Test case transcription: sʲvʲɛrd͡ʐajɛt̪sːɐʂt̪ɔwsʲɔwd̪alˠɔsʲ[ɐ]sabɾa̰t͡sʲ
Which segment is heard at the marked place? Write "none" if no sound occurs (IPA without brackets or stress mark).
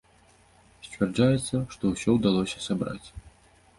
ɐ